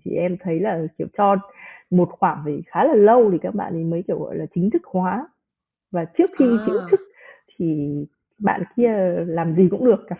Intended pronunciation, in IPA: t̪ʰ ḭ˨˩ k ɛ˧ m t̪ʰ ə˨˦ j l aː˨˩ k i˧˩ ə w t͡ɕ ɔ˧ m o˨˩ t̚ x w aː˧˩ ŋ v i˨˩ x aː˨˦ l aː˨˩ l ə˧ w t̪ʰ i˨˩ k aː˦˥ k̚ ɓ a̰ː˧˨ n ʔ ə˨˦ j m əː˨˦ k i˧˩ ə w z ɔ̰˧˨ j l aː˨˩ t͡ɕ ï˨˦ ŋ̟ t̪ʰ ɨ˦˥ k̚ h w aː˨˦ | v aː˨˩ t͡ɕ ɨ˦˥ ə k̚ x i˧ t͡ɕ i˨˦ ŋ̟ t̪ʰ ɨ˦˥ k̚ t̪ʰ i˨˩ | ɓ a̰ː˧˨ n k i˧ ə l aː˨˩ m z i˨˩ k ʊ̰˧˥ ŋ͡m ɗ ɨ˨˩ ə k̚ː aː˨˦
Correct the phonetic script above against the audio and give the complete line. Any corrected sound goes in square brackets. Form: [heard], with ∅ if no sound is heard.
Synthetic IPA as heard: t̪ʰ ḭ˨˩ [ʔ] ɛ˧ m t̪ʰ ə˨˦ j l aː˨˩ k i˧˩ ə w t͡ɕ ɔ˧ m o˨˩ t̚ x w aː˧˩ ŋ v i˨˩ x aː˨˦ l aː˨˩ l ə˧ w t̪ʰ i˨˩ k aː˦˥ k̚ ɓ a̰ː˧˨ n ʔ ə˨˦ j m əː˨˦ k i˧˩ ə w [ɣ] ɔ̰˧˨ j l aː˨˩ t͡ɕ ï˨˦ ŋ̟ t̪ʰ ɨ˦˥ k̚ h w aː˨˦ | v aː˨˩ t͡ɕ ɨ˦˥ ə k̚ x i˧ t͡ɕ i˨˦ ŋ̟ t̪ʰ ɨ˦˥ k̚ t̪ʰ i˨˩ | ɓ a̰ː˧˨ n k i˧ ə l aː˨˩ m z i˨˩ k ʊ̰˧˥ ŋ͡m ɗ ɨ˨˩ ə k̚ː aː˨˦